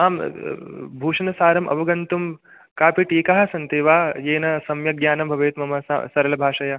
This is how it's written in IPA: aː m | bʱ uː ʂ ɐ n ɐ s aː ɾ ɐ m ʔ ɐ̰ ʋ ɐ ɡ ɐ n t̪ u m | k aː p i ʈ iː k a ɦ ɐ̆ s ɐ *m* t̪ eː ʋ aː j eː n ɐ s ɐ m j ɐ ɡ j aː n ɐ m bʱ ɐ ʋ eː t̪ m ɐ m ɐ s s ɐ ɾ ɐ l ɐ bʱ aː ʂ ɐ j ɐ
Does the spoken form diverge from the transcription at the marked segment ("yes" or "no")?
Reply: yes